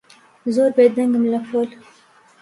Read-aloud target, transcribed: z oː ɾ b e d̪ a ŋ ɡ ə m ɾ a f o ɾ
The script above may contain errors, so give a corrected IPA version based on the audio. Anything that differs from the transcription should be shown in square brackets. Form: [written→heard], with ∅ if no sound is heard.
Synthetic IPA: z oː ɾ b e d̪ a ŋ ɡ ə m [ɾ→l] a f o [ɾ→l]